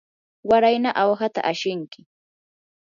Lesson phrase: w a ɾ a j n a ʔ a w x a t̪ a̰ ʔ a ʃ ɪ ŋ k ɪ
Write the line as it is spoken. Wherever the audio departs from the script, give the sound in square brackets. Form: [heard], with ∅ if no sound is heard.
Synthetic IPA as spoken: w a ɾ a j n a ʔ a w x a t̪ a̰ ʔ a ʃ ɪ ŋ k ɪ